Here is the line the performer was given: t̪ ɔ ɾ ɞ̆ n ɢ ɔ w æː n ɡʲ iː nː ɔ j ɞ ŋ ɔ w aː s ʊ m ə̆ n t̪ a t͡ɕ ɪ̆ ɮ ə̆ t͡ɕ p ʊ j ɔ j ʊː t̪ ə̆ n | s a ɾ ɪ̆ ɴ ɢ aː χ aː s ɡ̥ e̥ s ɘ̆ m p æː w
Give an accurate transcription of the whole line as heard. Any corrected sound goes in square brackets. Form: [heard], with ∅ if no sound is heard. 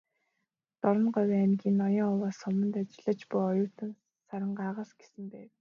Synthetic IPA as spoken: t̪ ɔ ɾ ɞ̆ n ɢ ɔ w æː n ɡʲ iː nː ɔ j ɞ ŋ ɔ w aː s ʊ m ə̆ n t̪ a t͡ɕ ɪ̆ ɮ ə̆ t͡ɕ p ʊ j ɔ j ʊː t̪ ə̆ n | s a ɾ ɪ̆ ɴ ɢ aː [ʁ] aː s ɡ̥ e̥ s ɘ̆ m p æː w